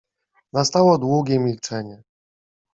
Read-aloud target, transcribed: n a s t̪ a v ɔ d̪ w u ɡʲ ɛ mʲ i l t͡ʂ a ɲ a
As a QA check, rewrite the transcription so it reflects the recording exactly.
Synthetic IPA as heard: n a s t̪ a w ɔ d̪ w u ɡʲ ɛ mʲ i l t͡ʂ ɛ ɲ ɛ